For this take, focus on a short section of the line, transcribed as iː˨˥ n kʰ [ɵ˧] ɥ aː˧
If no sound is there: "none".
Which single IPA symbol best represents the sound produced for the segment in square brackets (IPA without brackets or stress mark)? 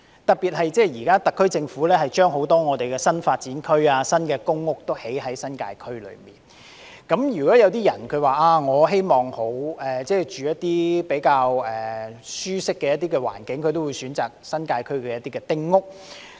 ɵ˥